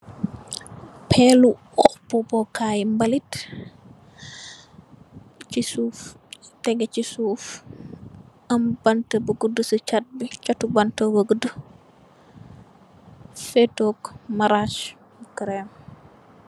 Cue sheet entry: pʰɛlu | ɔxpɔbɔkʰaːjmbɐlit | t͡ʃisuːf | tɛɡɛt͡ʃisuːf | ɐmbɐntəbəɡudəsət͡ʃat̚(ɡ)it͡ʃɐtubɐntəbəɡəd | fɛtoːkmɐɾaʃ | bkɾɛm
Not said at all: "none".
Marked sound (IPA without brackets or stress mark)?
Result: b